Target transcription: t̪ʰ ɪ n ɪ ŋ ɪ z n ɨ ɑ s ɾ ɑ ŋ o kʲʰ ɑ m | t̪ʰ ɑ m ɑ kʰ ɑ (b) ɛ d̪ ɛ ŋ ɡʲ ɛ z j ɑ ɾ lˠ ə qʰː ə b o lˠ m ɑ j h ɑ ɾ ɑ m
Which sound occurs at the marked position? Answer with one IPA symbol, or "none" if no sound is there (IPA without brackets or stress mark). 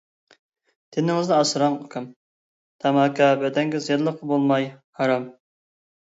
b